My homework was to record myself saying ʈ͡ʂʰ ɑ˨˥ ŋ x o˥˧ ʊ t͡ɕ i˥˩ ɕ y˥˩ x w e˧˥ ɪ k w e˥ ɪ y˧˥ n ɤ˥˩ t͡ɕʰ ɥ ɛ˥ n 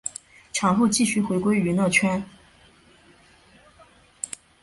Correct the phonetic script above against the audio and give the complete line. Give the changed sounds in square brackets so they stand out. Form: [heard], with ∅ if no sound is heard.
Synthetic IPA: ʈ͡ʂʰ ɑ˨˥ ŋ x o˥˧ ʊ t͡ɕ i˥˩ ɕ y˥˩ x w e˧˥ ɪ k w e˥ ɪ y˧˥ n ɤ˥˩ t͡ɕʰ ɥ ɛ˥ n